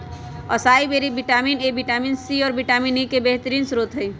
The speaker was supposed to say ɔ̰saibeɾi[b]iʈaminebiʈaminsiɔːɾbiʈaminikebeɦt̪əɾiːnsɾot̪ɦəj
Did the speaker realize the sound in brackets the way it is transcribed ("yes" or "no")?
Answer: yes